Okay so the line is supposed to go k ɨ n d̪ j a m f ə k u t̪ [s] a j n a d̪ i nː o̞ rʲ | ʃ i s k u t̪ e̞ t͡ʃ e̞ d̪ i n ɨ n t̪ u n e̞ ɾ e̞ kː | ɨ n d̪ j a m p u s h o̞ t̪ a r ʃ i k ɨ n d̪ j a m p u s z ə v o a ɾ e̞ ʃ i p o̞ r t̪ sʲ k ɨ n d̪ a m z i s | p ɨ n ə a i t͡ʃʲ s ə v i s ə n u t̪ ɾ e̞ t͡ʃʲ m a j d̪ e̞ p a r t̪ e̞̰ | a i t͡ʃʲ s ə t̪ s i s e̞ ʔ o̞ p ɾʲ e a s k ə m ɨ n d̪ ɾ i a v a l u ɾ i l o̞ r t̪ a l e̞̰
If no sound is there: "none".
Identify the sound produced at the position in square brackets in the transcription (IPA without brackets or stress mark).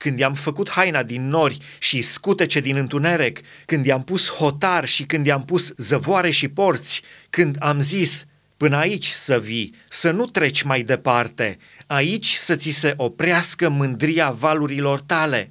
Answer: h